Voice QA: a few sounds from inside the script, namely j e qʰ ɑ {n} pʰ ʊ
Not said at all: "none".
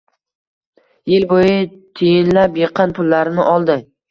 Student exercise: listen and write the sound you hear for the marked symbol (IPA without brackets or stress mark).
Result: n